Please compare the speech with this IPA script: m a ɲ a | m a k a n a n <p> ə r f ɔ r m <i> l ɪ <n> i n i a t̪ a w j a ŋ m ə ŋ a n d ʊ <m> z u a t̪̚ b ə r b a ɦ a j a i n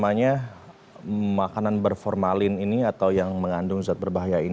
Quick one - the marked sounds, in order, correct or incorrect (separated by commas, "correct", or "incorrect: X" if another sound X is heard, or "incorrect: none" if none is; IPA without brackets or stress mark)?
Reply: incorrect: b, incorrect: a, correct, incorrect: ŋ